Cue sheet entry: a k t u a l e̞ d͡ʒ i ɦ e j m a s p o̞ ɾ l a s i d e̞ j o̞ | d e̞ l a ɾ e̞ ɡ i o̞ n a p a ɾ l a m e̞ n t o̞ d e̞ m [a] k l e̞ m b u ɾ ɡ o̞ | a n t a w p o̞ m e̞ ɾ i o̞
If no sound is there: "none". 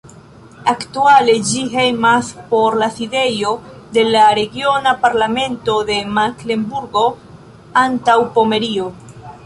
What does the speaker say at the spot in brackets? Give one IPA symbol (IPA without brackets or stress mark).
a